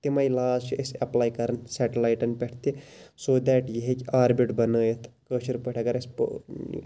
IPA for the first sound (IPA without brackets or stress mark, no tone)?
t̪